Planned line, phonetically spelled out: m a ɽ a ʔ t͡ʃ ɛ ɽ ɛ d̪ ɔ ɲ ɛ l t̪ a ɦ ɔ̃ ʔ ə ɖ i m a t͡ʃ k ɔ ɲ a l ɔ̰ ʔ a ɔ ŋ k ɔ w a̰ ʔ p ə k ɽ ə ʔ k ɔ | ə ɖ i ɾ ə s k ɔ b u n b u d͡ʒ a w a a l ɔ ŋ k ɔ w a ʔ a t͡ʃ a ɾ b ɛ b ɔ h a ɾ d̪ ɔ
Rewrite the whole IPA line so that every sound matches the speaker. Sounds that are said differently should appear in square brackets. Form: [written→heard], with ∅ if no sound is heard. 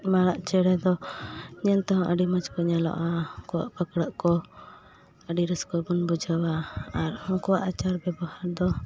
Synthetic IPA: m a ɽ a ʔ t͡ʃ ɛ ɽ ɛ d̪ ɔ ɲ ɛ l t̪ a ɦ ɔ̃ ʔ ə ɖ i m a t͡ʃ k ɔ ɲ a l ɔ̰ ʔ a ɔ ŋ k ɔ w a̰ ʔ p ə k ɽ ə ʔ k ɔ | ə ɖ i ɾ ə s k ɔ b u n b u d͡ʒ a w a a [l→ɾ] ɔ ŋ k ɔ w a ʔ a t͡ʃ a ɾ b ɛ b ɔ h a ɾ d̪ ɔ

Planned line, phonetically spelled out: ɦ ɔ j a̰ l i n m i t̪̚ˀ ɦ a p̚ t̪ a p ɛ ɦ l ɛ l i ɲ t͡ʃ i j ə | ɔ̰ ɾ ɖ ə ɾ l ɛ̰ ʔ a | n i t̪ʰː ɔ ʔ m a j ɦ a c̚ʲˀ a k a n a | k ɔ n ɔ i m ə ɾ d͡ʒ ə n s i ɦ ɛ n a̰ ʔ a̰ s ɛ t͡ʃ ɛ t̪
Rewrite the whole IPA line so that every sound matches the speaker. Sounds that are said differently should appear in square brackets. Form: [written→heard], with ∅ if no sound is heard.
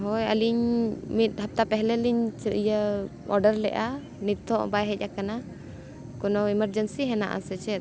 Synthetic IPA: ɦ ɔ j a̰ l i [n→ɲ] m i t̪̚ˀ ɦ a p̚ t̪ a p ɛ ɦ l ɛ l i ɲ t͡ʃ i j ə | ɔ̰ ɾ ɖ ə ɾ l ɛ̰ ʔ a | n i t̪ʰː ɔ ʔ [m→b] a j ɦ [a→ɛ] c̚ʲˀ a k a n a | k ɔ n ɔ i m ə ɾ d͡ʒ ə n s i ɦ ɛ n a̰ ʔ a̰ s ɛ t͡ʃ ɛ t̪

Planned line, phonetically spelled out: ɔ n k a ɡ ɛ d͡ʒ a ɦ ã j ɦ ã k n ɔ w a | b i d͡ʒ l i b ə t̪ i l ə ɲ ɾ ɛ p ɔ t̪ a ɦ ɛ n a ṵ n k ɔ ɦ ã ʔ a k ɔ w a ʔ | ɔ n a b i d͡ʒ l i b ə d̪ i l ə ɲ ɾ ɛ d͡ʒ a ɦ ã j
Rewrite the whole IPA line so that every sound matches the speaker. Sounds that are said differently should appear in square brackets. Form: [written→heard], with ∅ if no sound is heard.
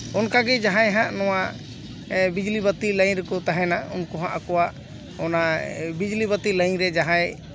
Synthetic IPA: ɔ n k a ɡ ɛ d͡ʒ a ɦ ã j ɦ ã [k→ʔ] n ɔ w a | b i d͡ʒ l i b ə t̪ i l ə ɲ ɾ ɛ [p→k] ɔ t̪ a ɦ ɛ n a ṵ n k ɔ ɦ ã ʔ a k ɔ w a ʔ | ɔ n a b i d͡ʒ l i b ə [d̪→t̪] i l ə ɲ ɾ ɛ d͡ʒ a ɦ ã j

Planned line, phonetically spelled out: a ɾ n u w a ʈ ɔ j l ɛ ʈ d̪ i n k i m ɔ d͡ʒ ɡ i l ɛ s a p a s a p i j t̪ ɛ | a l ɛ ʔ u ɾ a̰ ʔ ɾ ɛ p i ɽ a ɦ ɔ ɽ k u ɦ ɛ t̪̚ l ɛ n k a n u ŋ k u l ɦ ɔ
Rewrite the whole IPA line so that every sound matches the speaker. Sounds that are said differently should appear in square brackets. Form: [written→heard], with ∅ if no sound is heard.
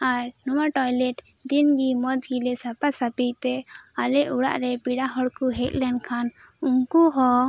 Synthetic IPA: a ɾ n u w a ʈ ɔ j l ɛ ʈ d̪ i n [k→ɡ] i m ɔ d͡ʒ ɡ i l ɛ s a p a s a p i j t̪ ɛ | a l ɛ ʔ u [ɾ→ɽ] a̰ ʔ ɾ ɛ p i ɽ a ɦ ɔ ɽ k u ɦ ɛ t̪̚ l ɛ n [k→kʰ] a n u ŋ k u [l→∅] ɦ ɔ

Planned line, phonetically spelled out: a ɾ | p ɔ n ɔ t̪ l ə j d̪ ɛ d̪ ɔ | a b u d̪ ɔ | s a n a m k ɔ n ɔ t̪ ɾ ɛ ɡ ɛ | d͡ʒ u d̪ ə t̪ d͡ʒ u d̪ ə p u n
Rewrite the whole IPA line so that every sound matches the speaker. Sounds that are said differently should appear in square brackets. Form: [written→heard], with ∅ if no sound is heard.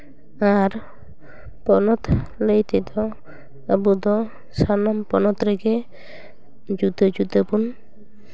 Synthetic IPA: a ɾ | p ɔ n ɔ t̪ l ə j [d̪→t̪] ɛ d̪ ɔ | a b u d̪ ɔ | s a n a m [k→p] ɔ n ɔ t̪ ɾ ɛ ɡ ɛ | d͡ʒ u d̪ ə [t̪→∅] d͡ʒ u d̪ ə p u n

